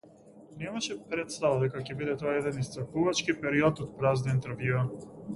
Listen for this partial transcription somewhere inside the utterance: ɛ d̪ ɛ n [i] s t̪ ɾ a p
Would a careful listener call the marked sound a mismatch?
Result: no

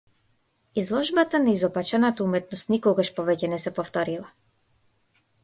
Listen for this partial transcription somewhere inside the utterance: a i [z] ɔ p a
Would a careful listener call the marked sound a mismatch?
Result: no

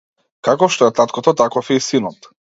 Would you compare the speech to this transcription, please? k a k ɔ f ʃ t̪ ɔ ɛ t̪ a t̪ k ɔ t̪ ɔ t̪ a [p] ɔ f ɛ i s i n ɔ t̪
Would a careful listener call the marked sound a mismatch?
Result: yes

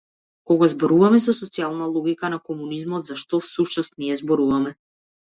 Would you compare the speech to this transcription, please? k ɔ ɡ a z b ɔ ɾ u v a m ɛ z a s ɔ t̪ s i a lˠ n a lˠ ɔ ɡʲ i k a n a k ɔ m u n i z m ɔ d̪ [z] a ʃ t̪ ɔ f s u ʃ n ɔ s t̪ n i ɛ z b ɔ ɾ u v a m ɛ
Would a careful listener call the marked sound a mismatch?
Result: no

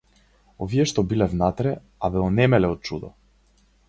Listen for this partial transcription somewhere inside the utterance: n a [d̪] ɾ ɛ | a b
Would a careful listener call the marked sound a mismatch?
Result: yes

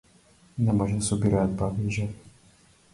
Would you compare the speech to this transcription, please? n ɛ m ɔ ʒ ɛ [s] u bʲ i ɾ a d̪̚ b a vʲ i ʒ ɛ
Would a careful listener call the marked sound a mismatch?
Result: no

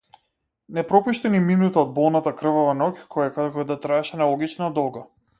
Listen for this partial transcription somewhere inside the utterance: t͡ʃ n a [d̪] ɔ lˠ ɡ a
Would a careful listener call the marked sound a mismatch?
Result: no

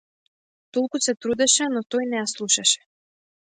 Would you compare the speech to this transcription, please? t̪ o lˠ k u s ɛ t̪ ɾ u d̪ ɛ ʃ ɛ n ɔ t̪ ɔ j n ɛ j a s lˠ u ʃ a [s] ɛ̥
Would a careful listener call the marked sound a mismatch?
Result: yes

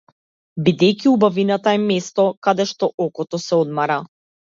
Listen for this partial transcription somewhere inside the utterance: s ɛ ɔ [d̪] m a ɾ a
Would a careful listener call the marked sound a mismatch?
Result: no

